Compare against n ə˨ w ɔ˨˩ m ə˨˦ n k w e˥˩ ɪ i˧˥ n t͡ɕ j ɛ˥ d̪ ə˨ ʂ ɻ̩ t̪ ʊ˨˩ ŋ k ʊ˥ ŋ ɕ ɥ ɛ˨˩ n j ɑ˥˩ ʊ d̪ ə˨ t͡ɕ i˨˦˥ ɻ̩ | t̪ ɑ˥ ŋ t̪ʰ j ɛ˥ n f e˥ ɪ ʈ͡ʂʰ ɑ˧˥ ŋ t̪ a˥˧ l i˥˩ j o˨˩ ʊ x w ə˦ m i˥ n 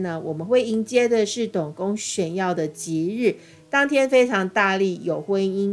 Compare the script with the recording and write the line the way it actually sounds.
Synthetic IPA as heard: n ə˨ w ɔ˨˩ m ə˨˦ n x w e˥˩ ɪ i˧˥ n t͡ɕ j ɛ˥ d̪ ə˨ ʂ ɻ̩ t̪ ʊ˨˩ ŋ k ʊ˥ ŋ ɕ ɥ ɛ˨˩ n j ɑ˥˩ ʊ d̪ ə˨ t͡ɕ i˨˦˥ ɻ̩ | t̪ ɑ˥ ŋ t̪ʰ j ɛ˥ n f e˥ ɪ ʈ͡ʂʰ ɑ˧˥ ŋ t̪ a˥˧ l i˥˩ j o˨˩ ʊ x w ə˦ n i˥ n